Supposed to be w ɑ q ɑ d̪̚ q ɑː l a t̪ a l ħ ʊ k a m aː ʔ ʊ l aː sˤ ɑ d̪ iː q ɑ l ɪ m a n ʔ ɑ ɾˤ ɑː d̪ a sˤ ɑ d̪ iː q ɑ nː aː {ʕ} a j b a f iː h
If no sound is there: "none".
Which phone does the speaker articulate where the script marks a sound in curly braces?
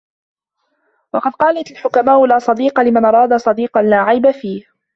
ʕ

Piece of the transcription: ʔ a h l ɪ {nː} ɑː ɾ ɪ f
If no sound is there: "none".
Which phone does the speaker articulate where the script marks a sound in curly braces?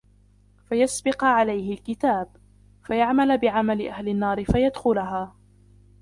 nː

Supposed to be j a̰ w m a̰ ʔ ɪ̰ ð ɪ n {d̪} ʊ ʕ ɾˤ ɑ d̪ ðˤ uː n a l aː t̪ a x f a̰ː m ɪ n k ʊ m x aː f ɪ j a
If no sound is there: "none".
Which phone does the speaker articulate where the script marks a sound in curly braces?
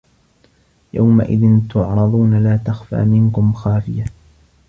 t̪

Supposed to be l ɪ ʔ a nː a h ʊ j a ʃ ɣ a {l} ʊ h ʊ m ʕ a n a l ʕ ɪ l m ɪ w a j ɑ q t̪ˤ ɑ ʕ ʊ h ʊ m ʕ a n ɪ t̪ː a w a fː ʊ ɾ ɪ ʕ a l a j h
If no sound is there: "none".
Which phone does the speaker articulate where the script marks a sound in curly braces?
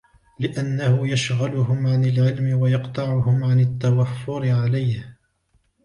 l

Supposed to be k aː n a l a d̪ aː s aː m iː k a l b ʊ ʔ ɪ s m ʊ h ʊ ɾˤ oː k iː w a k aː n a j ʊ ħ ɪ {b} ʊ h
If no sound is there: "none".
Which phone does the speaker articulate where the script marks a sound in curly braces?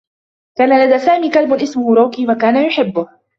bː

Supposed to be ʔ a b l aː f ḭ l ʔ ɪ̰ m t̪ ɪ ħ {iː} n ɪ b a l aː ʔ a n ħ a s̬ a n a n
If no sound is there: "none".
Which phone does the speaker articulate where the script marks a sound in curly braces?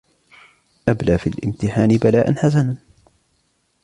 aː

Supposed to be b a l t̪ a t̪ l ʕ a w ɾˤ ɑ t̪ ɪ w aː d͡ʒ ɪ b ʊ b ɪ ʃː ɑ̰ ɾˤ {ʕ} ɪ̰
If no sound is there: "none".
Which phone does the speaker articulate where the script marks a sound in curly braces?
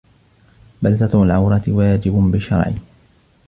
ʕ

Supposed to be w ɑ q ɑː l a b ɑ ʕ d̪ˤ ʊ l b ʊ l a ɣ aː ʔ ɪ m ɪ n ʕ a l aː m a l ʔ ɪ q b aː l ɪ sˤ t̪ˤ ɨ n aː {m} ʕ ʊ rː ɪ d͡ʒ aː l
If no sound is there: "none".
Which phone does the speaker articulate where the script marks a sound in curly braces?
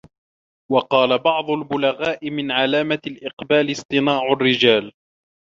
none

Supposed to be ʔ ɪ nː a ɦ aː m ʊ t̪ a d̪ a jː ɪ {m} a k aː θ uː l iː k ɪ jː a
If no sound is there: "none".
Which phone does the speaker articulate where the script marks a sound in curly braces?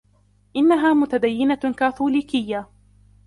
n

